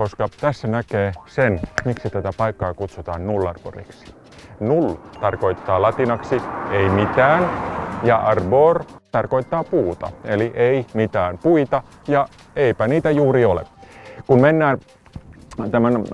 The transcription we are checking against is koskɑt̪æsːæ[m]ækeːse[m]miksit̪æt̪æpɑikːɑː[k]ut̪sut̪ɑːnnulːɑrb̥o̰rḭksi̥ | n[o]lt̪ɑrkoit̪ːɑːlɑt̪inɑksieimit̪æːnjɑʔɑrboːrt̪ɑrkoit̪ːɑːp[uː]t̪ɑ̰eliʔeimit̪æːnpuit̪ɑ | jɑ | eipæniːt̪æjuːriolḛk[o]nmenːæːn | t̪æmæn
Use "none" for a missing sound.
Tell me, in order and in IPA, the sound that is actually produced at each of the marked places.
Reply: n, n, k, u, uː, u

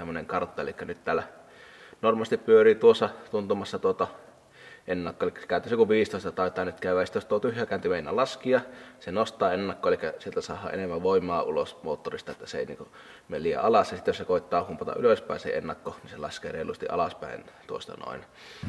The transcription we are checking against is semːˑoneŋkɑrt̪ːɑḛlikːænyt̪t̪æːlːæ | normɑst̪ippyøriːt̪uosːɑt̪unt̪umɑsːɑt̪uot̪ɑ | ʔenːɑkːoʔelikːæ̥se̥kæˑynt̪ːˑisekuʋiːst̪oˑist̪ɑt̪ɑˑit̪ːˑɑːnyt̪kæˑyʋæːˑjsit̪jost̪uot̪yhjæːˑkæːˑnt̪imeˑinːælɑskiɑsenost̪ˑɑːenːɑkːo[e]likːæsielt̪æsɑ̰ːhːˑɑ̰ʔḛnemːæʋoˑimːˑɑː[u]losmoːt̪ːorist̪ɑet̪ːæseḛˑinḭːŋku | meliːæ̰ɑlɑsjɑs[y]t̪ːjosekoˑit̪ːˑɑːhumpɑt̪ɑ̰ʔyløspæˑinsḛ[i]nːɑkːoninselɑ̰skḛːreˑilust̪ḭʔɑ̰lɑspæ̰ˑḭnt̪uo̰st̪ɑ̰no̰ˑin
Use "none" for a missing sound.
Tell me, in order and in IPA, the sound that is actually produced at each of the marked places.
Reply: e, u, i, e

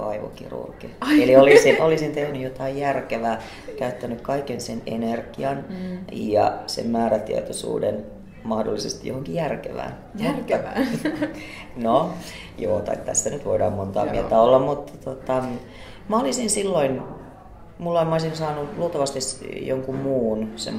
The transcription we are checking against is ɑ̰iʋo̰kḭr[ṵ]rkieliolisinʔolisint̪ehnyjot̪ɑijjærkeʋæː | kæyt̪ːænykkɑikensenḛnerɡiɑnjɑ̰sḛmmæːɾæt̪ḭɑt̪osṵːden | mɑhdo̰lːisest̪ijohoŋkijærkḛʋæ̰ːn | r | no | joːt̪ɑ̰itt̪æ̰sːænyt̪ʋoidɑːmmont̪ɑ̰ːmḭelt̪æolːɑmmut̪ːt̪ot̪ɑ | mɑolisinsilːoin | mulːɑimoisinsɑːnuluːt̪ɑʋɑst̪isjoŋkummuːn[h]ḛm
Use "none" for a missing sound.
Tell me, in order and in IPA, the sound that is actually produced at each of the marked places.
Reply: ṵ, s

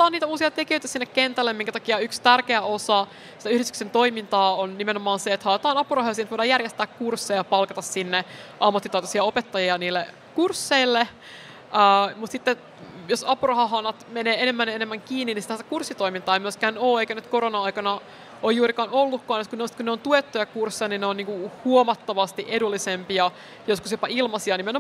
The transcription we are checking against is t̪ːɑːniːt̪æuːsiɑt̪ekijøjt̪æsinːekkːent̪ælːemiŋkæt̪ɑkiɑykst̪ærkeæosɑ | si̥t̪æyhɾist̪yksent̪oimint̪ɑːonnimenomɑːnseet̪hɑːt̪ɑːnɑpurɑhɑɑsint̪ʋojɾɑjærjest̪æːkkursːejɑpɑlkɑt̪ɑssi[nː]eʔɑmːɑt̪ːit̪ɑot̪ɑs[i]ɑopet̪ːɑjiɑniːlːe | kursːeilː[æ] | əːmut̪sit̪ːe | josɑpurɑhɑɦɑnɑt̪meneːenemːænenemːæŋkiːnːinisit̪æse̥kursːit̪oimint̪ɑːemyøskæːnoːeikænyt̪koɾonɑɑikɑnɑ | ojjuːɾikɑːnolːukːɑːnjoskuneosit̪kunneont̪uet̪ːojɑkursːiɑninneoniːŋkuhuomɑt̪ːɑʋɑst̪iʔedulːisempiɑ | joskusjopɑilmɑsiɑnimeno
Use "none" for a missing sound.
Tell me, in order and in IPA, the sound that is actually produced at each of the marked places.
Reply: nː, i, e

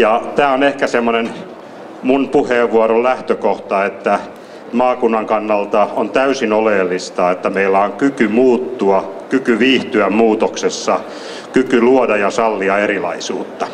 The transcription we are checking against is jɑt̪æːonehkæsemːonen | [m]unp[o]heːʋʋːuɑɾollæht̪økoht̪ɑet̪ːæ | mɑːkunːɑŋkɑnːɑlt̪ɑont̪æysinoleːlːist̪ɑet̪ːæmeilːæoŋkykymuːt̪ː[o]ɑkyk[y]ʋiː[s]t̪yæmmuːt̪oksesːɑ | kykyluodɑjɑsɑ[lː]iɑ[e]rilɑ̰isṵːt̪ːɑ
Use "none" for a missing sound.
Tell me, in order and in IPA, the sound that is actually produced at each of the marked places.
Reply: m, u, u, y, h, lː, e

